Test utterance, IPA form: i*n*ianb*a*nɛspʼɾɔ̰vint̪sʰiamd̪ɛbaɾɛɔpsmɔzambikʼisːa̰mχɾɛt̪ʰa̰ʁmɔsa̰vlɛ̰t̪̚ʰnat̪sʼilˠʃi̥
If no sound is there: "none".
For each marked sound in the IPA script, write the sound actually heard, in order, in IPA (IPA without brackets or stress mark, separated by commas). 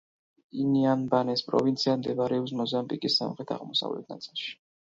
n, a